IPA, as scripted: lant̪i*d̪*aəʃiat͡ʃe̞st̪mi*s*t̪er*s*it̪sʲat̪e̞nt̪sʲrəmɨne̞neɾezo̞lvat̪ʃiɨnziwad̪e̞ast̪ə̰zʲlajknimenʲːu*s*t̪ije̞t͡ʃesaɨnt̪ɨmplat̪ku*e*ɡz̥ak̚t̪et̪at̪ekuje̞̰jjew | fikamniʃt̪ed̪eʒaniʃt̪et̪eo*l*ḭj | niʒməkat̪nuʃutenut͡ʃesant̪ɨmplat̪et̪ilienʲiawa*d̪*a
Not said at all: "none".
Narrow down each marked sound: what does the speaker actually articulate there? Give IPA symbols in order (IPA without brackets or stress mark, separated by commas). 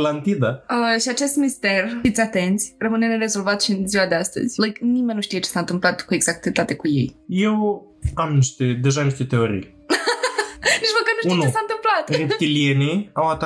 d̪, s, f, ʃ, e, ɾ, t̪